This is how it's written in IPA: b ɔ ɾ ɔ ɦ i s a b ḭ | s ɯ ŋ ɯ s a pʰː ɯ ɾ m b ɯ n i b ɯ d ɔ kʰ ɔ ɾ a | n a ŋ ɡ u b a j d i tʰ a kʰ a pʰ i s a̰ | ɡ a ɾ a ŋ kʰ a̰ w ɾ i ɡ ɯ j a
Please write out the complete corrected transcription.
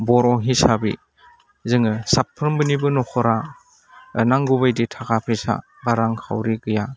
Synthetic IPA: b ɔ ɾ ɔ ɦ i s a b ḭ | z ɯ ŋ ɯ s a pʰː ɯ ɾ m b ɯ n i b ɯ n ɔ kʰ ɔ ɾ a | n a ŋ ɡ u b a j d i tʰ a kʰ a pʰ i s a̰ | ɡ a ɾ a ŋ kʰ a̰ w ɾ i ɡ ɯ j a